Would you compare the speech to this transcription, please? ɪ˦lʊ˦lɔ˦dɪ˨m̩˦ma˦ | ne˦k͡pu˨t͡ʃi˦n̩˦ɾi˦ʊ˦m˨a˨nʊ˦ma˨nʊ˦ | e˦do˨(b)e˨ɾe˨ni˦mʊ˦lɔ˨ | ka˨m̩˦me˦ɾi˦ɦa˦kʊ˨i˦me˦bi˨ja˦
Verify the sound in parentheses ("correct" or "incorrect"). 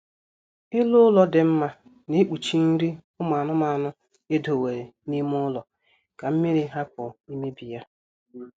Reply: incorrect